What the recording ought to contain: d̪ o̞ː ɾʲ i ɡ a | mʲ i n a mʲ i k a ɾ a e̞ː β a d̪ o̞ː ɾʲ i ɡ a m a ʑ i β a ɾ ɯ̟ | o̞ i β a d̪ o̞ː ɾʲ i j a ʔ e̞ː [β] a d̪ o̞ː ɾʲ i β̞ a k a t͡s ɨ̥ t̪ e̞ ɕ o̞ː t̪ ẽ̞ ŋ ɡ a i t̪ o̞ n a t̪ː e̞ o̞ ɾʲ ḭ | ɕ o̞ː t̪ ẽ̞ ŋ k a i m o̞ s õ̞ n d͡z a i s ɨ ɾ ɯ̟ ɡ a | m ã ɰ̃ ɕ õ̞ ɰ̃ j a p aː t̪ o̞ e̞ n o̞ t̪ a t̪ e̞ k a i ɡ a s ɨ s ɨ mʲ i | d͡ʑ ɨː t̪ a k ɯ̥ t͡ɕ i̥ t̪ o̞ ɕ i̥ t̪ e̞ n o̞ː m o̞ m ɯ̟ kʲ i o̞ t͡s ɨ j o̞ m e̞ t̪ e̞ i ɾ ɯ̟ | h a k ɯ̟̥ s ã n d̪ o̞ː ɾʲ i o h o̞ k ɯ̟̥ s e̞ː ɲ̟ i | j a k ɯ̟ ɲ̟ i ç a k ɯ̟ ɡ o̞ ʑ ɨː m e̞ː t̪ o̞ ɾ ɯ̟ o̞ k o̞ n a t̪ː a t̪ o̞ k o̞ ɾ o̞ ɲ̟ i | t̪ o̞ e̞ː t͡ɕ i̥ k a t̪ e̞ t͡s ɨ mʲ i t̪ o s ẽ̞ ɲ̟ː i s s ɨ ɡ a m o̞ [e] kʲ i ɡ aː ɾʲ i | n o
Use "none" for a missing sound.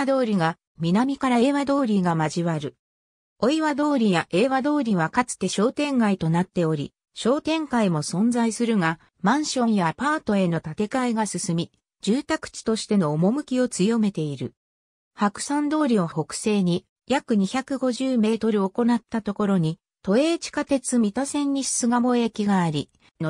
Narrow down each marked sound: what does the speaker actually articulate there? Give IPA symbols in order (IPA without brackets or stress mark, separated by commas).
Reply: β, e